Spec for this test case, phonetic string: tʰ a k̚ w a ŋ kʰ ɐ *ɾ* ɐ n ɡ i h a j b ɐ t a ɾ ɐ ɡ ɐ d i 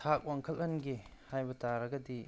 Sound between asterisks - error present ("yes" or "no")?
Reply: yes